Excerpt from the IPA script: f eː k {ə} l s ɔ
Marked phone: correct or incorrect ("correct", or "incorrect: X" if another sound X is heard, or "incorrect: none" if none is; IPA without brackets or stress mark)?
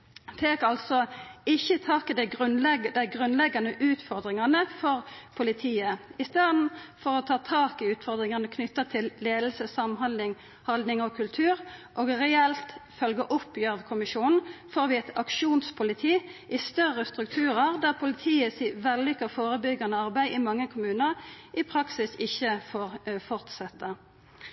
incorrect: ɑ